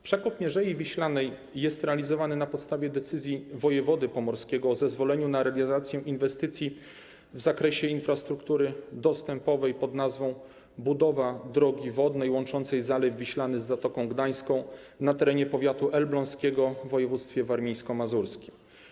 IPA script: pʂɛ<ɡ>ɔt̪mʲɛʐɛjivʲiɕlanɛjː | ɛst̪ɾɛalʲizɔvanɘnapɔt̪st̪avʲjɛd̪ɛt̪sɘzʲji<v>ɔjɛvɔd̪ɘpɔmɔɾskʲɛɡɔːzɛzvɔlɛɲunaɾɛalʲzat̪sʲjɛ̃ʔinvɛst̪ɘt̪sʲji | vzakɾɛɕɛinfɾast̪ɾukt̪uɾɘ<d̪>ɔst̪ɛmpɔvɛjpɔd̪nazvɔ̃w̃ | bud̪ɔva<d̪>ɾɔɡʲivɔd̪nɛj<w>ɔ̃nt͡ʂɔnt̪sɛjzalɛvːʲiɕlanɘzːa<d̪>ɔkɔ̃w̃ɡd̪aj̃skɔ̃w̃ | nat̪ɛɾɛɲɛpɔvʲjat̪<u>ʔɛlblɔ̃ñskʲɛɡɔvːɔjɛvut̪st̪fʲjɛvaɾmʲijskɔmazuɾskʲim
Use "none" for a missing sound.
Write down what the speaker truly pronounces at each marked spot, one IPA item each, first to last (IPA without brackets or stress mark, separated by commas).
k, v, d̪, d̪, w, t̪, u